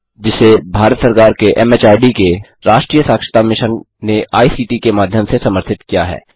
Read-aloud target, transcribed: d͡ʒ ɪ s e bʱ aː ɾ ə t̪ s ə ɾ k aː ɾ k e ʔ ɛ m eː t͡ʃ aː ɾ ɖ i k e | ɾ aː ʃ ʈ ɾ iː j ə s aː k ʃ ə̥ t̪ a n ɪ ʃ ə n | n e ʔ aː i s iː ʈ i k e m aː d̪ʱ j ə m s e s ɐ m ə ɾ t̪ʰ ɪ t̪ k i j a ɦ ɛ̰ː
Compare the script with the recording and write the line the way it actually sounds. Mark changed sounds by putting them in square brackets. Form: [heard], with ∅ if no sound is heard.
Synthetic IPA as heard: d͡ʒ ɪ s e bʱ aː ɾ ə t̪ s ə ɾ k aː ɾ k e ʔ ɛ m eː t͡ʃ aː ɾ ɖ i k e | ɾ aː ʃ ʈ ɾ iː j ə s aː k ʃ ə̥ t̪ a [m] ɪ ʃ ə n | n e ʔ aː i s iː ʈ i k e m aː d̪ʱ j ə m s e s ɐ m ə ɾ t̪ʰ ɪ t̪ k i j a ɦ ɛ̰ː